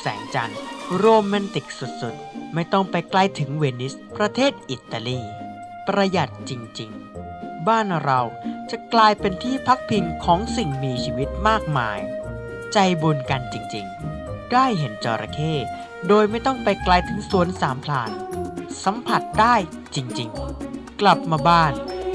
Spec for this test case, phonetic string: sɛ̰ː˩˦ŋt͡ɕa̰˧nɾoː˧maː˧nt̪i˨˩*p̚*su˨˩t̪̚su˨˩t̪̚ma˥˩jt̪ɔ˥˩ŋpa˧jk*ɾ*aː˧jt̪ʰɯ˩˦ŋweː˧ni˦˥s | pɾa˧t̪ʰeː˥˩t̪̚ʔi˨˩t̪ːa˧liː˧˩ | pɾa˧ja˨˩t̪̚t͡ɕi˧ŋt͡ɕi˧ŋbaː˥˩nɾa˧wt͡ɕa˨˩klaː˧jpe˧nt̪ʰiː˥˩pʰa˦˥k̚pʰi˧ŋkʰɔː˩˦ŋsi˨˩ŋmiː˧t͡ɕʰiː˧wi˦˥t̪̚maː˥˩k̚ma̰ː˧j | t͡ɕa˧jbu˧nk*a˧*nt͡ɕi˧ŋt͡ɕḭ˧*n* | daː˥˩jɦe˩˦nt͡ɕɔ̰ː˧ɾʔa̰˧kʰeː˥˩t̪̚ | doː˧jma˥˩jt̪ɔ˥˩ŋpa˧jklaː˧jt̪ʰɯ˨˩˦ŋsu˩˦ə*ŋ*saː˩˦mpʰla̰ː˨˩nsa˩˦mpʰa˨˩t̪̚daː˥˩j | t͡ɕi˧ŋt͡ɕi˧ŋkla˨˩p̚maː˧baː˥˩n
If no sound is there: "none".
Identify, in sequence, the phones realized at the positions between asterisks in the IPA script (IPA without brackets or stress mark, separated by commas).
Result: k̚, l, a˧, ŋ, n